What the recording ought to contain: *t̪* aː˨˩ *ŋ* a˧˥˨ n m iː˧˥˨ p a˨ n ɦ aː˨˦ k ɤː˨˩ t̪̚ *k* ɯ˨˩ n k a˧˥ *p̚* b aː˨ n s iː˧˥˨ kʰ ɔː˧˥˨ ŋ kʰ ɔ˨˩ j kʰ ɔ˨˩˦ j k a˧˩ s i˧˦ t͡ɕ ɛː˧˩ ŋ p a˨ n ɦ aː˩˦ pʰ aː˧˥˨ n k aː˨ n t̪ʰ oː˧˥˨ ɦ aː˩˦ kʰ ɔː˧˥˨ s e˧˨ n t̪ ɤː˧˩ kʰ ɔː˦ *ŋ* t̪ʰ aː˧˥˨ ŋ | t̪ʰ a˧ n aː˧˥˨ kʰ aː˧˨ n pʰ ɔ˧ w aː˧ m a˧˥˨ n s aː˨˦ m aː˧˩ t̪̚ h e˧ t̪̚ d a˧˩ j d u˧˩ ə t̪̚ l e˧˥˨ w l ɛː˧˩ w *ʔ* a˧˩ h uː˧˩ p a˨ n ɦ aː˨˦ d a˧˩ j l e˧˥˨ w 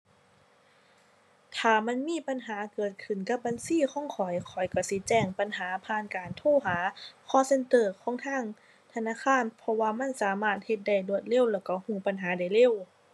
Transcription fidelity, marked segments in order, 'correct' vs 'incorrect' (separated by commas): incorrect, incorrect, incorrect, correct, correct, incorrect